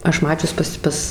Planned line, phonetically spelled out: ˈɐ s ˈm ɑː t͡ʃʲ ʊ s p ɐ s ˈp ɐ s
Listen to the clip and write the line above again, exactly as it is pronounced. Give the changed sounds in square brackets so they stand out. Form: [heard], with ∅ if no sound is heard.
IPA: ˈɐ [ʃ] ˈm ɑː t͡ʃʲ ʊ s p ɐ s ˈp ɐ s